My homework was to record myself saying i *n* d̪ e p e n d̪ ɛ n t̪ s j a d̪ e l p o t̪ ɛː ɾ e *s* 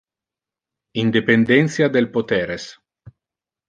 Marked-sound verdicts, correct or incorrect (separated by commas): correct, correct